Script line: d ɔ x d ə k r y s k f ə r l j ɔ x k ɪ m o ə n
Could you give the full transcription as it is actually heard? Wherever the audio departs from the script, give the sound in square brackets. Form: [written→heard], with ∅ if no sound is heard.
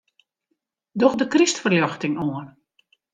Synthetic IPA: d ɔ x d ə k r [y→i] s [k→t] f ə r l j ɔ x [k→t] ɪ [m→ŋ] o ə n